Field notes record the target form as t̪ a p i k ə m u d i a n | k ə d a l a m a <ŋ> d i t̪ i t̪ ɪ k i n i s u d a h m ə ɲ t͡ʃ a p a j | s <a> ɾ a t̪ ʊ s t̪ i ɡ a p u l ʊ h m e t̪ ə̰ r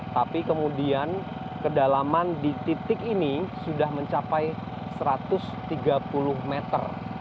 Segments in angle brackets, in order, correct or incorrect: incorrect, incorrect

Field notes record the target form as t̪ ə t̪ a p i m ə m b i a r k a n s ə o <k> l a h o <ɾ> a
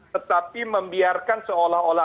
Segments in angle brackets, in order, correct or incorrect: incorrect, incorrect

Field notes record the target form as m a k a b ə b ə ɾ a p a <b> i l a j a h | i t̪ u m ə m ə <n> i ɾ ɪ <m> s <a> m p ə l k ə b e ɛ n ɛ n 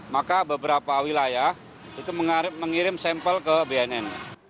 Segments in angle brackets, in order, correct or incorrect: incorrect, incorrect, correct, incorrect

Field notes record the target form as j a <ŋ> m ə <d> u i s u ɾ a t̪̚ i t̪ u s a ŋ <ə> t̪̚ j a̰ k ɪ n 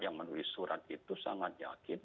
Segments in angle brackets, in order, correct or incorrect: correct, incorrect, incorrect

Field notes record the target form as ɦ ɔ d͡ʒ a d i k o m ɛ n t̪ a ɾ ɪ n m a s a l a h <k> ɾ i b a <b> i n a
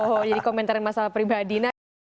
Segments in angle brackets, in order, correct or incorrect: incorrect, incorrect

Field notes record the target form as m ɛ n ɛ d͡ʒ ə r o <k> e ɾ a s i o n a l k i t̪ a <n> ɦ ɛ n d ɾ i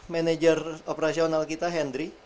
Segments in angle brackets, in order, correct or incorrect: incorrect, incorrect

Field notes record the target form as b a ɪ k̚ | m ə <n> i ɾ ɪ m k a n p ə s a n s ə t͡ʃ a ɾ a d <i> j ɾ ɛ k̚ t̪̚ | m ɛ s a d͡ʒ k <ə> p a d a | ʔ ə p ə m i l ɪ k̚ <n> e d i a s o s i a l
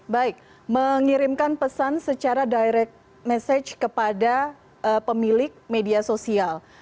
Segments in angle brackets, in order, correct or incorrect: incorrect, incorrect, correct, incorrect

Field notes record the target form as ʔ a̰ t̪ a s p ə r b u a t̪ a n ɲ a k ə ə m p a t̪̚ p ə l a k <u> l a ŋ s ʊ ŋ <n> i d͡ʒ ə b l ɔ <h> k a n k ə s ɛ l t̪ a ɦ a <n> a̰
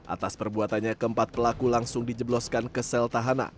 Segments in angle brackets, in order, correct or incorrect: correct, incorrect, incorrect, correct

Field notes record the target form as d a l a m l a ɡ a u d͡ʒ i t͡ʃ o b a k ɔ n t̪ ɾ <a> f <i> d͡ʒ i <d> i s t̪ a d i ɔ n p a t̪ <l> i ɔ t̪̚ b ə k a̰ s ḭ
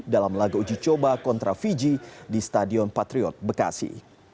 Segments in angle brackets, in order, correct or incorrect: correct, correct, correct, incorrect

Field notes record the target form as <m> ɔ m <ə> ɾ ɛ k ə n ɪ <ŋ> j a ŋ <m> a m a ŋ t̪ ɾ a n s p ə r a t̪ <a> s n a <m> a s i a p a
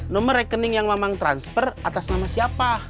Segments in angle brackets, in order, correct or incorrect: incorrect, correct, correct, correct, correct, correct

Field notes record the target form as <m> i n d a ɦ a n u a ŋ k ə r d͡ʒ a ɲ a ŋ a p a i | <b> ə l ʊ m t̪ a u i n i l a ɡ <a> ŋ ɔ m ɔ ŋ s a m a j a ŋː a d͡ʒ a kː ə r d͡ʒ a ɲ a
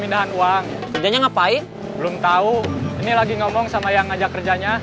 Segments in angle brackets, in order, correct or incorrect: correct, correct, incorrect

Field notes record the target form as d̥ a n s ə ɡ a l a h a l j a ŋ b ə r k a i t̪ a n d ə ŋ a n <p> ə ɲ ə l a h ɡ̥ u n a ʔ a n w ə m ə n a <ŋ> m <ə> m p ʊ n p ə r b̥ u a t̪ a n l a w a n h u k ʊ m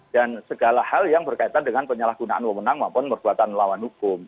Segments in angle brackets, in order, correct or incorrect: correct, correct, incorrect

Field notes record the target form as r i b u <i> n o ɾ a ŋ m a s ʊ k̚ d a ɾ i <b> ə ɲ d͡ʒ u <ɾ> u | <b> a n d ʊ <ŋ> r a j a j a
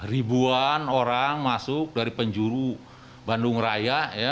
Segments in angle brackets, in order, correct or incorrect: incorrect, incorrect, correct, correct, correct

